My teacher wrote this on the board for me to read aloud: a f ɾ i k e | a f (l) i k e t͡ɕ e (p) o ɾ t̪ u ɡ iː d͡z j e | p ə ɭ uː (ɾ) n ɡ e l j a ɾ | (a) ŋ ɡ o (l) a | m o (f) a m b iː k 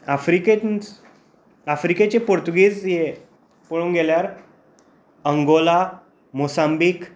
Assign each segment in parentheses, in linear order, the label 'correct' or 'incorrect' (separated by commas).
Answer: incorrect, correct, incorrect, incorrect, correct, incorrect